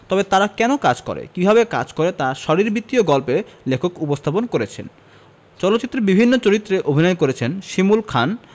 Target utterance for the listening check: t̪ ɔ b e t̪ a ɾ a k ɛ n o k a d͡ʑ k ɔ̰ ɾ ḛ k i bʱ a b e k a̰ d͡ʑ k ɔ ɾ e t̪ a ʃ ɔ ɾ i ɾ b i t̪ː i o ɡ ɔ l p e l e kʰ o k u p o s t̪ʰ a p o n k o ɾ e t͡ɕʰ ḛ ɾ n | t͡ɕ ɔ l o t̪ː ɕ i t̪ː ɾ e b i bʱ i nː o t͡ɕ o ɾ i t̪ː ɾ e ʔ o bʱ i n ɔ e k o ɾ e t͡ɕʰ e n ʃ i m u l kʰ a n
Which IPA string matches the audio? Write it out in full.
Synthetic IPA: t̪ ɔ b e t̪ a ɾ a k ɛ n o k a d͡ʑ k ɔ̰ ɾ ḛ k i bʱ a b e k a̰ d͡ʑ k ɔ ɾ e t̪ a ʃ ɔ ɾ i ɾ b i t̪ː i o ɡ ɔ l p e l e kʰ o k u p o s t̪ʰ a p o n k o ɾ e t͡ɕʰ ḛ n | t͡ɕ ɔ l o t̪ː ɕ i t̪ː ɾ e b i bʱ i nː o t͡ɕ o ɾ i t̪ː ɾ e ʔ o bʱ i n ɔ e k o ɾ e t͡ɕʰ e n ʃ i m u l kʰ a n

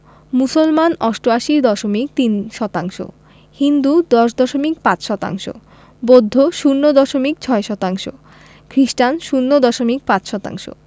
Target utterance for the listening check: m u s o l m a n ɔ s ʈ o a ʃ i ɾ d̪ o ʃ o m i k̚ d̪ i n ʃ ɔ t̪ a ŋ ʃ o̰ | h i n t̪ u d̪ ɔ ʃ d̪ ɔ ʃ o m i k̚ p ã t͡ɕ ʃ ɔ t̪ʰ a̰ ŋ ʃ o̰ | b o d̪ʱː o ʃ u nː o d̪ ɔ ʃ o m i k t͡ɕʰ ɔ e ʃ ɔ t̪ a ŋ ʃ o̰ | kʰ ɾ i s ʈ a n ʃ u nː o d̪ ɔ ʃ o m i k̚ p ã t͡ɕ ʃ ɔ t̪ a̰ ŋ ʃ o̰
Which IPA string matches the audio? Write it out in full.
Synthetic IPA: m u s o l m a n ɔ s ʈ o a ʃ i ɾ d̪ ɔ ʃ o m i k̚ t̪ i n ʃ ɔ t̪ a ŋ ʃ o̰ | h i n d̪ u d̪ ɔ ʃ d̪ ɔ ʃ o m i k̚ p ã t͡ɕ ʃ ɔ t̪ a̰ ŋ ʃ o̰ | b o d̪ʱː o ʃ u nː o d̪ ɔ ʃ o m i k t͡ɕʰ ɔ e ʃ ɔ t̪ a ŋ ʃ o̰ | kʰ ɾ i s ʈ a n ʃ u nː o d̪ ɔ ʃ o m i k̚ p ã t͡ɕ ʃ ɔ t̪ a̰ ŋ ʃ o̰

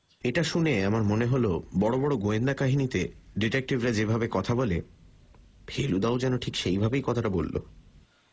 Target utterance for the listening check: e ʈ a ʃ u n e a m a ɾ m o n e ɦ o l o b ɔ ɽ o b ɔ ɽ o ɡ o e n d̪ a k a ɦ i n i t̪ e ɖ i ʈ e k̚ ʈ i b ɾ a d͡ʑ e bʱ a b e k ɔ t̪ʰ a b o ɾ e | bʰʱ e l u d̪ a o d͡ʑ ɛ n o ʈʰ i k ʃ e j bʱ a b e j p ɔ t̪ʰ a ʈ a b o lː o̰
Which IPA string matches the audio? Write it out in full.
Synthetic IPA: e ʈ a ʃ u n e a m a ɾ m o n e ɦ o l o b ɔ ɽ o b ɔ ɽ o ɡ o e n d̪ a k a ɦ i n i t̪ e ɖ i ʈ e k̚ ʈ i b ɾ a d͡ʑ e bʱ a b e k ɔ t̪ʰ a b o l e | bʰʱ e l u d̪ a o d͡ʑ ɛ n o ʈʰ i k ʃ e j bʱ a b e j k ɔ t̪ʰ a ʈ a b o lː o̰

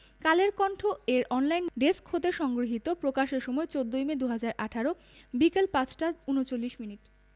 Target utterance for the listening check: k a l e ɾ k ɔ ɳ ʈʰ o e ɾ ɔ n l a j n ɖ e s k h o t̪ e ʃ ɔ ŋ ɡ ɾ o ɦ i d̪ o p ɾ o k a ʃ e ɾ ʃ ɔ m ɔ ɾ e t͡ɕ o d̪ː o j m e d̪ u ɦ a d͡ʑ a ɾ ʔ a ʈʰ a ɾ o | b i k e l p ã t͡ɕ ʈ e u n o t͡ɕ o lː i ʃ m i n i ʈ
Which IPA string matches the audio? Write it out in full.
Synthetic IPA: k a l e ɾ k ɔ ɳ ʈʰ o e ɾ ɔ n l a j n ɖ e s k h o t̪ e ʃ ɔ ŋ ɡ ɾ o ɦ i t̪ o p ɾ o k a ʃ e ɾ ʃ ɔ m ɔ e t͡ɕ o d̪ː o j m e d̪ u ɦ a d͡ʑ a ɾ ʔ a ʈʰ a ɾ o | b i k e l p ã t͡ɕ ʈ a u n o t͡ɕ o lː i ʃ m i n i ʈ

